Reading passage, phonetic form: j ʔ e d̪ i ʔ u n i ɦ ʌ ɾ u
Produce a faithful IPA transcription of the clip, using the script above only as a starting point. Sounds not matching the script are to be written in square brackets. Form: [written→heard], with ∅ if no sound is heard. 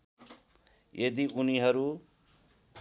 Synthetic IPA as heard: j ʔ e d̪ i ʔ u n i ɦ ʌ ɾ u